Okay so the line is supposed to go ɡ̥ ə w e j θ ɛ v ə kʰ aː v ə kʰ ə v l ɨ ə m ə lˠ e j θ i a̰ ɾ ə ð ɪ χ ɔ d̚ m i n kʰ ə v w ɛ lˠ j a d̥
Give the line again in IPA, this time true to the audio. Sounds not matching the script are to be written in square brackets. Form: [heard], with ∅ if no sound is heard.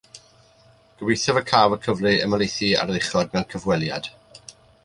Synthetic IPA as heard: ɡ̥ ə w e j θ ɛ v ə kʰ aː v ə kʰ ə v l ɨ ə m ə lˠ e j θ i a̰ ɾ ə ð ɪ χ ɔ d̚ m [ɛ] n kʰ ə v w ɛ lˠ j a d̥